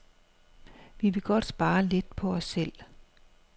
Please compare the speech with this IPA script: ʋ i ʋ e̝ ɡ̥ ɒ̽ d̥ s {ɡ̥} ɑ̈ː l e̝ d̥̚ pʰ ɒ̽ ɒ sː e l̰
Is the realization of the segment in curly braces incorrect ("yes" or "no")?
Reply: yes